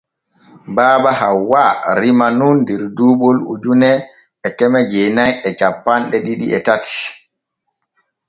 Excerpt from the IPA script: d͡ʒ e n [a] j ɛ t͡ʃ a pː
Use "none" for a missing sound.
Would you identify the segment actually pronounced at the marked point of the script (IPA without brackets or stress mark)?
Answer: a